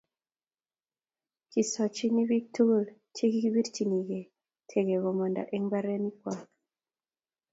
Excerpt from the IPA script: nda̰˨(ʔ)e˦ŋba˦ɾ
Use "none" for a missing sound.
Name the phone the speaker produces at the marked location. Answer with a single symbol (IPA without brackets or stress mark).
ʔ